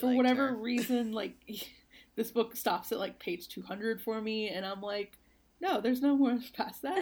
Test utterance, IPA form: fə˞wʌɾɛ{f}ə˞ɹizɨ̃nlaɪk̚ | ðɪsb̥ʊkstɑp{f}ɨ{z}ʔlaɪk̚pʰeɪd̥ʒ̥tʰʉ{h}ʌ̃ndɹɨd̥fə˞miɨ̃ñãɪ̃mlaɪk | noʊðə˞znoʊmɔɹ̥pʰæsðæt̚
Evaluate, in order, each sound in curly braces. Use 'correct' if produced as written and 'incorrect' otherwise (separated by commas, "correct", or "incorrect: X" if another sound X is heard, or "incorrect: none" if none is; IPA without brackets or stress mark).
incorrect: v, incorrect: s, incorrect: none, correct